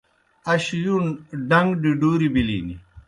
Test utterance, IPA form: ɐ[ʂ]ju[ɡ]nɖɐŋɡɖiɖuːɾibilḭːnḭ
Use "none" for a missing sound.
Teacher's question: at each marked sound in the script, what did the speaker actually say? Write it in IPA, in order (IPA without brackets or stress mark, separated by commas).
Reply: ɕ, none